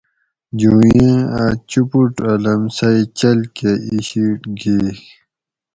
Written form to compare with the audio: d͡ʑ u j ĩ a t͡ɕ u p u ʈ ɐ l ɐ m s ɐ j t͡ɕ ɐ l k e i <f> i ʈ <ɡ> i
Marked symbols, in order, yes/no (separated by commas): no, yes